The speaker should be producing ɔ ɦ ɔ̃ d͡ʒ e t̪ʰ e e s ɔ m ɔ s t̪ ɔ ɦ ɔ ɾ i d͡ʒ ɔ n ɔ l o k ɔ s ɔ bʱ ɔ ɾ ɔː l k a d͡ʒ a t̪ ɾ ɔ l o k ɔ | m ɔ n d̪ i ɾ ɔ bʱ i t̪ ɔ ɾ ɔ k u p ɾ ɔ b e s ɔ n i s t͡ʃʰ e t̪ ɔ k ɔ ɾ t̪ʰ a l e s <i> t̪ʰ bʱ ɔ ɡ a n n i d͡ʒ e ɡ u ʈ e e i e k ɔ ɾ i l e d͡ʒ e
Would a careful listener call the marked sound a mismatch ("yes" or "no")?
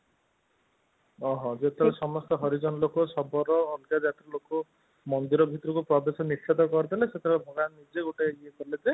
yes